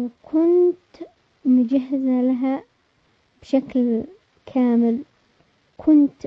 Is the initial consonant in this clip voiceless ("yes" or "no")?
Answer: no